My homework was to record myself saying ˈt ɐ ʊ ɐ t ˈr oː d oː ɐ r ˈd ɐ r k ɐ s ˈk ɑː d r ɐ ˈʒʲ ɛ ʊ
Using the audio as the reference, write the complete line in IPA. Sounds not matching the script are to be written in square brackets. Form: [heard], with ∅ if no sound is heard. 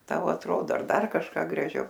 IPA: ˈt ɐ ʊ ɐ t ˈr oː d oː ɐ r ˈd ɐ r k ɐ [ʃ] ˈk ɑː [ɡ] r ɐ ˈʒʲ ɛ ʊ